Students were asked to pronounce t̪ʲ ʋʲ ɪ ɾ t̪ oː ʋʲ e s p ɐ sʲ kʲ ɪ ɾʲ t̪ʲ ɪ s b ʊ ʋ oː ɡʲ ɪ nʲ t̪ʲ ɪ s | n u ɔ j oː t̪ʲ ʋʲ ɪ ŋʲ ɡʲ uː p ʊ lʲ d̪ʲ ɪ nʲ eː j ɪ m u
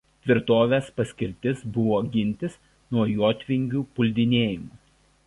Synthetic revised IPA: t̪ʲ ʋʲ ɪ ɾ t̪ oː ʋʲ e s p ɐ sʲ kʲ ɪ ɾʲ t̪ʲ ɪ s b ʊ ʋ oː ɡʲ ɪ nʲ t̪ʲ ɪ s | n u ɔ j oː t̪ʲ ʋʲ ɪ ŋʲ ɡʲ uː p ʊ lʲ d̪ʲ ɪ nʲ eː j ɪ m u